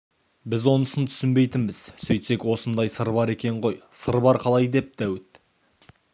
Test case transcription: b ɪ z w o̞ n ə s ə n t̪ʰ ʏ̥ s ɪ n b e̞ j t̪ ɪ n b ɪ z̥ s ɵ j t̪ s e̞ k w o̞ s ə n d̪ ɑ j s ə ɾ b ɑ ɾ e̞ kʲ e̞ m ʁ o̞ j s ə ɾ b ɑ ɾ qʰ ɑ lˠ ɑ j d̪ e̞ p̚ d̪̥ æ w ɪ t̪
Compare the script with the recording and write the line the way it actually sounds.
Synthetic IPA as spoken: b ɪ z w o̞ n ə s ə n t̪ʰ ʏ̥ s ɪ n b e̞ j t̪ ɪ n b ɪ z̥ s ɵ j t̪ s e̞ k w o̞ s ə n d̪ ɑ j s ə ɾ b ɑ ɾ e̞ kʲ e̞ ɴ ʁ o̞ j s ə ɾ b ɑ ɾ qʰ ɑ lˠ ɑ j d̪ e̞ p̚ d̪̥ æ w ɪ t̪